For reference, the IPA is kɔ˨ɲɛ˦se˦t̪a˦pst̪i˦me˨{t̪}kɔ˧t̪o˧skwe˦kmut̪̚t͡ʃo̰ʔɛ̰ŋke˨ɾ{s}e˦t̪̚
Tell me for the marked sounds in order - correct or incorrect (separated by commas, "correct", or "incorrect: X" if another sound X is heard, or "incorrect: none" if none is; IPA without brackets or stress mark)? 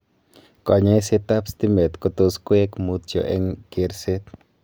correct, correct